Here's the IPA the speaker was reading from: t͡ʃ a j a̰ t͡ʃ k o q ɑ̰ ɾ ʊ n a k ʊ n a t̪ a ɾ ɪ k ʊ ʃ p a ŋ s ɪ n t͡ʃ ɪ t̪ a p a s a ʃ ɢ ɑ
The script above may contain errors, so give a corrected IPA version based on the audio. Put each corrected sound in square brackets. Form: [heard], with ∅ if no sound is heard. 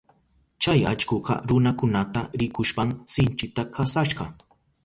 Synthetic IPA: t͡ʃ a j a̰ t͡ʃ k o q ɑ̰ ɾ ʊ n a k ʊ n a t̪ a ɾ ɪ k ʊ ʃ p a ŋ s ɪ n t͡ʃ ɪ t̪ a [k] a s a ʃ ɢ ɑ